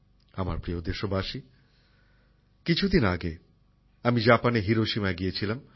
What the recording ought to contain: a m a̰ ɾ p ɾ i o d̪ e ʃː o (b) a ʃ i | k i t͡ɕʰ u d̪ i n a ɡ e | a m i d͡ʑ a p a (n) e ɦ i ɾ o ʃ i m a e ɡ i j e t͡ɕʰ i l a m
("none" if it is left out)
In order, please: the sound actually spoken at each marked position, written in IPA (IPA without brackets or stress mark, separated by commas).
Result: b, n